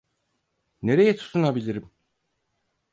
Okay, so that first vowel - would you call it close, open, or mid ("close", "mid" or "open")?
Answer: mid